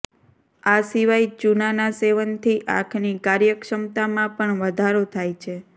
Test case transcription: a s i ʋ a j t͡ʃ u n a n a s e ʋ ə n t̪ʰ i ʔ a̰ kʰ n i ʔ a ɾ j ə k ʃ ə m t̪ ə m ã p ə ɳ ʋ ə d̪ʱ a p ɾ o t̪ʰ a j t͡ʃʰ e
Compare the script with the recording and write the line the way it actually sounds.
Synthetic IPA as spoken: a s i ʋ a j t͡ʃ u n a n a s e ʋ ə n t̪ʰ i ʔ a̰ kʰ n i k a ɾ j ə k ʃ ə m t̪ a m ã p ə ɳ ʋ ə d̪ʱ a ɾ o t̪ʰ a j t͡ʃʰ e